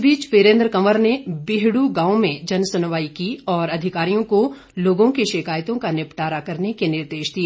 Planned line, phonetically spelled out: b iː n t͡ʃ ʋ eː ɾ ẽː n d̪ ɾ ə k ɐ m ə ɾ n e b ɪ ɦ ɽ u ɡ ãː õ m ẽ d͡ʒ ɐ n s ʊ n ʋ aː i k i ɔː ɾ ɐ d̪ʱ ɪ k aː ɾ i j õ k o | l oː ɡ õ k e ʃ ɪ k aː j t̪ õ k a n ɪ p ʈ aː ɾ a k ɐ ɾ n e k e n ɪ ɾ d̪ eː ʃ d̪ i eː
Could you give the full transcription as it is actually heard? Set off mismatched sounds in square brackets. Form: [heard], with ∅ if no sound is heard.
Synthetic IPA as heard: b iː [∅] t͡ʃ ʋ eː ɾ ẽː n d̪ ɾ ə k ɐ m ə ɾ n e b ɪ ɦ ɽ u ɡ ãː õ m ẽ d͡ʒ ɐ n s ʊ n ʋ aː i k i ɔː ɾ ɐ d̪ʱ ɪ k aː ɾ i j õ k o | l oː ɡ õ k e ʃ ɪ k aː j t̪ õ k a n ɪ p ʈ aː ɾ a k ɐ ɾ n e k e n ɪ ɾ d̪ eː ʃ d̪ i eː

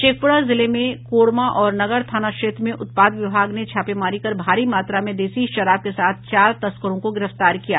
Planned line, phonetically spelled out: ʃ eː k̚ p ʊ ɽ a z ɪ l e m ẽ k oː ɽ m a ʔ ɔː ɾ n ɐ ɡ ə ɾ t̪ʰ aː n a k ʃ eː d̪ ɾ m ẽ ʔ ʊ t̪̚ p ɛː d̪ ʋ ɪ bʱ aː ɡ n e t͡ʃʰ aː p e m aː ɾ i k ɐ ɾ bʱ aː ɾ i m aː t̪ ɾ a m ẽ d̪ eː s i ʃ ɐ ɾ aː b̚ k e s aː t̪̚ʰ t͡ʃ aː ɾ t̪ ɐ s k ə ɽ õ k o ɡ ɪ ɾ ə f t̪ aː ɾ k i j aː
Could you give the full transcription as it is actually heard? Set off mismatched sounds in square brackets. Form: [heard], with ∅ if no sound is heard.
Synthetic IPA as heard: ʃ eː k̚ p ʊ ɽ a z ɪ l e m ẽ k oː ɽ m a ʔ ɔː ɾ n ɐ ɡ ə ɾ t̪ʰ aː n a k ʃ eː [t̪] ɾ m ẽ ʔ ʊ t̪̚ p [aː] d̪ ʋ ɪ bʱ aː ɡ n e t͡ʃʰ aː p e m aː ɾ i k ɐ ɾ bʱ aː ɾ i m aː t̪ ɾ a m ẽ d̪ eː s i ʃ ɐ ɾ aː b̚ k e s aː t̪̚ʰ t͡ʃ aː ɾ t̪ ɐ s k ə [ɾ] õ k o ɡ ɪ ɾ ə f t̪ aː ɾ k i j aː

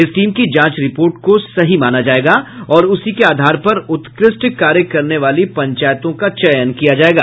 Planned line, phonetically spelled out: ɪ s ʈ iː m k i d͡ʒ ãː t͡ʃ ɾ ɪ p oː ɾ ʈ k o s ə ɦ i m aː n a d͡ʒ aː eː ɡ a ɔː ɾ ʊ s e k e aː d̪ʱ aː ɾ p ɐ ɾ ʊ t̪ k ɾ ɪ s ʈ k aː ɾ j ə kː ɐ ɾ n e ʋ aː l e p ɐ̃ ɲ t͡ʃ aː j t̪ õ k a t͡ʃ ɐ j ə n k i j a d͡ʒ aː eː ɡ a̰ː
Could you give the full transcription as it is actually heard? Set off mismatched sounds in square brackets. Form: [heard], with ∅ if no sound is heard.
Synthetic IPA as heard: ɪ s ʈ iː m k i d͡ʒ ãː t͡ʃ ɾ ɪ p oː ɾ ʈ k o s [ɐ] ɦ i m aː n a d͡ʒ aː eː ɡ a ɔː ɾ ʊ s [i] k e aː d̪ʱ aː ɾ p ɐ ɾ ʊ t̪ k ɾ ɪ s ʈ k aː ɾ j ə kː ɐ ɾ n e ʋ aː l [i] p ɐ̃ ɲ t͡ʃ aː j t̪ õ k a t͡ʃ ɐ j ə n k i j a d͡ʒ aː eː ɡ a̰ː

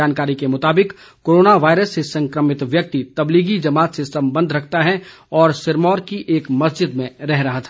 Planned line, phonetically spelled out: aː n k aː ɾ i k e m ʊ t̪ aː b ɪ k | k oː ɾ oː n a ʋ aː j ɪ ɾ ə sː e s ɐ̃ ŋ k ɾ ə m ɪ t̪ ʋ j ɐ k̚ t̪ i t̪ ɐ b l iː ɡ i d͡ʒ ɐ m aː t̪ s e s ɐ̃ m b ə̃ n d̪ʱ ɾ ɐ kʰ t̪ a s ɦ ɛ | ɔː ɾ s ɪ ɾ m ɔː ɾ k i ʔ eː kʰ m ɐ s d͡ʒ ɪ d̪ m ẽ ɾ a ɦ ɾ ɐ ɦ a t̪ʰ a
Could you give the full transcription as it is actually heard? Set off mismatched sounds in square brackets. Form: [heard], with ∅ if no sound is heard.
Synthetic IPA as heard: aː n k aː ɾ i k e m ʊ t̪ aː b ɪ k | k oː ɾ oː n a ʋ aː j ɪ ɾ ə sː e s ɐ̃ ŋ k ɾ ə m ɪ t̪ ʋ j ɐ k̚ t̪ i t̪ ɐ b l iː ɡ i d͡ʒ ɐ m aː t̪ s e s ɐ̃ m b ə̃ n d̪ʱ ɾ ɐ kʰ t̪ a [∅] ɦ ɛ | ɔː ɾ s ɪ ɾ m ɔː ɾ k i ʔ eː [k] m ɐ s d͡ʒ ɪ d̪ m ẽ ɾ [ɛ] ɦ ɾ ɐ ɦ a t̪ʰ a

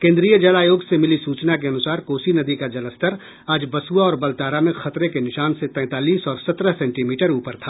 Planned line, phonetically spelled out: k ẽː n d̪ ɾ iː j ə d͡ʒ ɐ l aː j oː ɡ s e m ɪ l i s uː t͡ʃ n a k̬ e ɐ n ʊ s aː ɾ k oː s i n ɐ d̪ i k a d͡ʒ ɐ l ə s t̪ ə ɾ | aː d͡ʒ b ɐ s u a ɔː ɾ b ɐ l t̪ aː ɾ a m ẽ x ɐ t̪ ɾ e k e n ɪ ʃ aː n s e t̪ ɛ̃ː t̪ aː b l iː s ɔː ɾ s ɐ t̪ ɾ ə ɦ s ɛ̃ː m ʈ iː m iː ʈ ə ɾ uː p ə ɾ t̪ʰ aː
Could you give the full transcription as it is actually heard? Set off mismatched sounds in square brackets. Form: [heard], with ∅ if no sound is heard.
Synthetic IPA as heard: k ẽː n d̪ ɾ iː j ə d͡ʒ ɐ l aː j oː ɡ s e m ɪ l i s uː t͡ʃ n a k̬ e ɐ n ʊ s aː ɾ k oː s i n ɐ d̪ i k a d͡ʒ ɐ l ə s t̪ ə ɾ | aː d͡ʒ b ɐ s u a ɔː ɾ b ɐ l t̪ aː ɾ a m ẽ x ɐ t̪ ɾ e k e n ɪ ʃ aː n s e t̪ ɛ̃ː t̪ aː [∅] l iː s ɔː ɾ s ɐ t̪ ɾ ə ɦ s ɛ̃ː [ɳ] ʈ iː m iː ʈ ə ɾ uː p ə ɾ t̪ʰ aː

